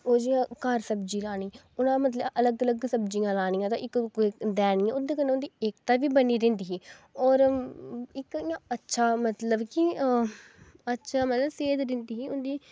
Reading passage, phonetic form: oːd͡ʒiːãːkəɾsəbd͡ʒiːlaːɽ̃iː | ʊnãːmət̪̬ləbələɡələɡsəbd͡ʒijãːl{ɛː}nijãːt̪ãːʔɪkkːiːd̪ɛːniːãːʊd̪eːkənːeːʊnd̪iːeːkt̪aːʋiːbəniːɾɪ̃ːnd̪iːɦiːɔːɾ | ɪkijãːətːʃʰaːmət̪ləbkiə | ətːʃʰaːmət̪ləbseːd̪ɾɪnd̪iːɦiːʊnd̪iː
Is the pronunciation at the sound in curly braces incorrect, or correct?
incorrect